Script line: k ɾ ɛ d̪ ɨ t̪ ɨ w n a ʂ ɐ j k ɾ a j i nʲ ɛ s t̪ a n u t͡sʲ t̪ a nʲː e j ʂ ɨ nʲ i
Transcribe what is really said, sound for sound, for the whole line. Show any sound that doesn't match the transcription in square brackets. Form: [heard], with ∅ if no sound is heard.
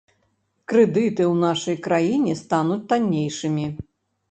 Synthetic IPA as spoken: k ɾ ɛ d̪ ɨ t̪ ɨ w n a ʂ ɐ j k ɾ a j i nʲ ɛ s t̪ a n u t͡sʲ t̪ a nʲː e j ʂ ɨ [mʲ] i